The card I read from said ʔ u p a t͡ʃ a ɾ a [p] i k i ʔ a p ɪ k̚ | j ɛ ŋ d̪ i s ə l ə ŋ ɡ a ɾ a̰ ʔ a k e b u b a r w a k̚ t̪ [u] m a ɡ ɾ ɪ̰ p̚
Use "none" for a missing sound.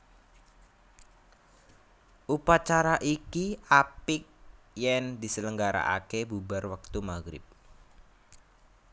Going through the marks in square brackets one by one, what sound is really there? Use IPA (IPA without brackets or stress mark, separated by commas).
ʔ, u